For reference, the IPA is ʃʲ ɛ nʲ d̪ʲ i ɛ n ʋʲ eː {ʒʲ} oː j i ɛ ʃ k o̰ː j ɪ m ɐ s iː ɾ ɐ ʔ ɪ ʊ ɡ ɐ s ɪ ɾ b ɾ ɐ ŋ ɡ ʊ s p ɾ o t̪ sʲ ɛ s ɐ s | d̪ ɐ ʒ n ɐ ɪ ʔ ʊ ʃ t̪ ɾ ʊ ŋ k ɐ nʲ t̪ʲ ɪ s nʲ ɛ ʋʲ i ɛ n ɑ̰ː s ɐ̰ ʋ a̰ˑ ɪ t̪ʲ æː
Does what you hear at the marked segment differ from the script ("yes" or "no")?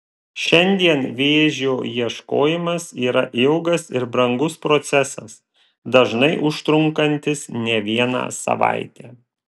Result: no